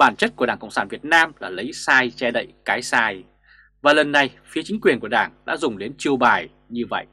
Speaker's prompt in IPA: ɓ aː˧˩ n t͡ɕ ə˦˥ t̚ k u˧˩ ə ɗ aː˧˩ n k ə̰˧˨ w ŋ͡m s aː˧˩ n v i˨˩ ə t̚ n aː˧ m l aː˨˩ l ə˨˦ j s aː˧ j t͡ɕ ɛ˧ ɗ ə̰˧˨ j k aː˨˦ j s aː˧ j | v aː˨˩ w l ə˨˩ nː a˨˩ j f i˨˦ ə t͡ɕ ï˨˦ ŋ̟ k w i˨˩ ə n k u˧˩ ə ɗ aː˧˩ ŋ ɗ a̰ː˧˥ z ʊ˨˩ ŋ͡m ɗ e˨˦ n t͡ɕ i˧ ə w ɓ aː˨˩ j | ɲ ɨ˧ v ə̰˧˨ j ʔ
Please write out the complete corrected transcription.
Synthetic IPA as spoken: ɓ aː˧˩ n t͡ɕ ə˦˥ t̚ k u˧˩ ə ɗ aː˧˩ ŋ k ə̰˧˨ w ŋ͡m s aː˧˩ n v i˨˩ ə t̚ n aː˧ m l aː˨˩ l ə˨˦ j s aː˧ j t͡ɕ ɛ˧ ɗ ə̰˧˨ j k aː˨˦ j s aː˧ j | v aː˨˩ l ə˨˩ nː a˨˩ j f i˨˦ ə t͡ɕ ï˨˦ ŋ̟ k w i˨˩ ə n k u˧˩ ə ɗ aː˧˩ ŋ ɗ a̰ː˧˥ z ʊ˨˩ ŋ͡m ɗ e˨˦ n t͡ɕ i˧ ə w ɓ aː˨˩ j | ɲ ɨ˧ v ə̰˧˨ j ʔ

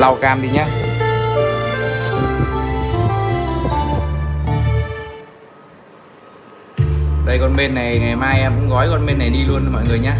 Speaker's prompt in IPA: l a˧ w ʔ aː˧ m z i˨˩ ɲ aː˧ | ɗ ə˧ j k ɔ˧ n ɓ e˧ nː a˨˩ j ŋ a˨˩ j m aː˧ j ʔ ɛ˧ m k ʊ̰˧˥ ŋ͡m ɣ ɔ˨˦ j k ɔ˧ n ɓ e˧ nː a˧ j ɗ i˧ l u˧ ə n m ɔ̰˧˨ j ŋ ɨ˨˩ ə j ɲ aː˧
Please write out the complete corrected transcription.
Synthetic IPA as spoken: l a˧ w k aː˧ m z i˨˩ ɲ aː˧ | ɗ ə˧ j k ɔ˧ n ɓ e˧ nː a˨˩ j ŋ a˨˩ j m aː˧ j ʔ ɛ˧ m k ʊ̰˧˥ ŋ͡m ɣ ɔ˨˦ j k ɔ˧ n ɓ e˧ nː a˨˩ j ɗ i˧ l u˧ ə n m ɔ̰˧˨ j ŋ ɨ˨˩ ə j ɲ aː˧

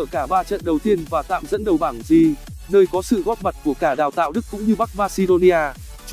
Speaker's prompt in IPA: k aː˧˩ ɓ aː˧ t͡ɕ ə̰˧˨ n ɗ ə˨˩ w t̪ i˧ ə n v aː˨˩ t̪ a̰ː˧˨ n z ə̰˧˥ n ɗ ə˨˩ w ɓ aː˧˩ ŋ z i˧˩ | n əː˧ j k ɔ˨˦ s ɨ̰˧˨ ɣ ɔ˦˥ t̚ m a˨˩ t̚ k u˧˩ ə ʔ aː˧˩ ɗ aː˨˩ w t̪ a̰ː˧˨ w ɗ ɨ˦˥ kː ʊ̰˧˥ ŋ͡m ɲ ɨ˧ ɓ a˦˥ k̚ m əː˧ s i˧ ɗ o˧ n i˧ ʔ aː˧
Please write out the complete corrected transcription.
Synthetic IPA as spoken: k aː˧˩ ɓ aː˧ t͡ɕ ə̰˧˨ n ɗ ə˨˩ w t̪ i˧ ə n v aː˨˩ t̪ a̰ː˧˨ m z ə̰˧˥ n ɗ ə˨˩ w ɓ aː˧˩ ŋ z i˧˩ | n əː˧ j k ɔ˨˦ s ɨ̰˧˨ ɣ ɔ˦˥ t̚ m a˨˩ t̚ k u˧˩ ə k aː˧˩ ɗ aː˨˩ w t̪ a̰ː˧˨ w ɗ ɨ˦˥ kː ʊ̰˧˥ ŋ͡m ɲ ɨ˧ ɓ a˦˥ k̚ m aː˧ s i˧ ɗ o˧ n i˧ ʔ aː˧

